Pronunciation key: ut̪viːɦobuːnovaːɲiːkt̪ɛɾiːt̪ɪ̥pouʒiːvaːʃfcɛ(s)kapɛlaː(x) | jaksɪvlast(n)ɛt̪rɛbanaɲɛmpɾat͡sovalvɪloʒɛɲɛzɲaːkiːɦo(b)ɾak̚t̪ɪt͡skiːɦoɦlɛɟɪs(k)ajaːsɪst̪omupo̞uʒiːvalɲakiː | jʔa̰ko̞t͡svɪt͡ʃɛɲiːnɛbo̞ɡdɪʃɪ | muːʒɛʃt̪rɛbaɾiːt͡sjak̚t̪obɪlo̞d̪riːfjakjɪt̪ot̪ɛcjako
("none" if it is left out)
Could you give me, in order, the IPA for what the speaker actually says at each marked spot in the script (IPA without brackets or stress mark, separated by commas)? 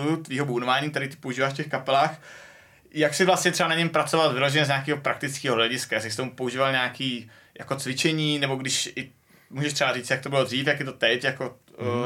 x, x, ɲ, p, k